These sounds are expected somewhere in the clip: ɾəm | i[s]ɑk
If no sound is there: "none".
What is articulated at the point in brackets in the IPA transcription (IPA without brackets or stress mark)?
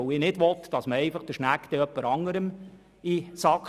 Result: s